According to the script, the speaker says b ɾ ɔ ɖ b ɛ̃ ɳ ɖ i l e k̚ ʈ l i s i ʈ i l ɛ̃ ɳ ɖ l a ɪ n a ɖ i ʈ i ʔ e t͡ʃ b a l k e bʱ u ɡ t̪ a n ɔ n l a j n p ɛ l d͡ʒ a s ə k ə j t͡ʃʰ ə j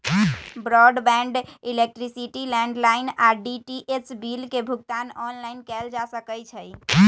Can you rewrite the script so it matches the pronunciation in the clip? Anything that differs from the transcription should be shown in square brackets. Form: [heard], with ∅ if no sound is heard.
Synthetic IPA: b ɾ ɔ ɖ b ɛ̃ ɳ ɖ i l e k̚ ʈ [ɾ] i s i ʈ i l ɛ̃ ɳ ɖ l a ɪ n a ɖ i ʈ i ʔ e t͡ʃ b [i] l k e bʱ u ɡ t̪ a n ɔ n l a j n [k] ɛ l d͡ʒ a s ə k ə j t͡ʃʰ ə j